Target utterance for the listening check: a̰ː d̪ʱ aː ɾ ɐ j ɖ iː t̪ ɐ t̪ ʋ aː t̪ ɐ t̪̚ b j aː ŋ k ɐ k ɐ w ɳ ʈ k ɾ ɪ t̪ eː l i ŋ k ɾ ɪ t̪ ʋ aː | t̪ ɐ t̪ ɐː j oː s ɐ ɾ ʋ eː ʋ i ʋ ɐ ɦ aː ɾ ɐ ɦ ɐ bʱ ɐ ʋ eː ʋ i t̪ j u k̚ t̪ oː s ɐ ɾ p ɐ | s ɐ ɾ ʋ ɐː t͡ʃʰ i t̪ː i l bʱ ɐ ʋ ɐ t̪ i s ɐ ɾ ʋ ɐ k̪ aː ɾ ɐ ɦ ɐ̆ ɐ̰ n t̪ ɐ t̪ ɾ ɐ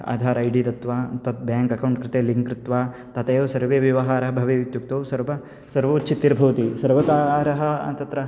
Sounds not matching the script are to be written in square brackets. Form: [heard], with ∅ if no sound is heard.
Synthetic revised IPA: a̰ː d̪ʱ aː ɾ ɐ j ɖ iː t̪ ɐ t̪ ʋ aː t̪ ɐ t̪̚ b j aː ŋ k ɐ k ɐ w ɳ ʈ k ɾ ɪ t̪ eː l i ŋ k ɾ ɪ t̪ ʋ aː | t̪ ɐ t̪ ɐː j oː s ɐ ɾ ʋ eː ʋ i ʋ ɐ ɦ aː ɾ ɐ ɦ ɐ bʱ ɐ ʋ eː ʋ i t̪ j u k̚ t̪ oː s ɐ ɾ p ɐ | s ɐ ɾ ʋ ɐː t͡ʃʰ i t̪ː i [ɾ] bʱ ɐ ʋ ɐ t̪ i s ɐ ɾ ʋ ɐ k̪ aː ɾ ɐ ɦ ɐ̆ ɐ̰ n t̪ ɐ t̪ ɾ ɐ